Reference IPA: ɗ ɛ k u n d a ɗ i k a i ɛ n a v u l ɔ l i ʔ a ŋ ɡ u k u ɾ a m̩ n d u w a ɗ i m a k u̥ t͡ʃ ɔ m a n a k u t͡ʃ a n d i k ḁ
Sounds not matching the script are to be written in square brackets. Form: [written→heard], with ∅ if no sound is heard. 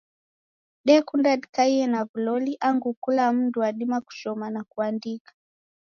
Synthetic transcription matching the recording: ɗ ɛ k u n d a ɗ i k a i ɛ n a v u l ɔ l i ʔ a ŋ ɡ u k u [ɾ→l] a m̩ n d u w a ɗ i m a k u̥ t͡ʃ ɔ m a n a k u [t͡ʃ→∅] a n d i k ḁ